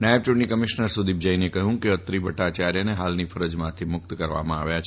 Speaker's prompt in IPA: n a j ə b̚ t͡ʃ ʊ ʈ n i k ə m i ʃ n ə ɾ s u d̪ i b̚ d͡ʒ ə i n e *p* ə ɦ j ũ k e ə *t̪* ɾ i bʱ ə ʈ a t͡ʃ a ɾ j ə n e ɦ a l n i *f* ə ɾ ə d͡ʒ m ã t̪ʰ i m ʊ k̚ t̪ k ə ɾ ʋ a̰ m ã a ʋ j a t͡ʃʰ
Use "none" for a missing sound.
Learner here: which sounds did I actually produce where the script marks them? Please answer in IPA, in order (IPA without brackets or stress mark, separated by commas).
k, t̪, f